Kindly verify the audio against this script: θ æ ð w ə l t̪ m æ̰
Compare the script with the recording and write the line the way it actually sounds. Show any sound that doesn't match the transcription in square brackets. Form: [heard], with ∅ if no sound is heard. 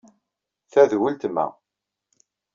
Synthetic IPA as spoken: θ æ ð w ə l t̪ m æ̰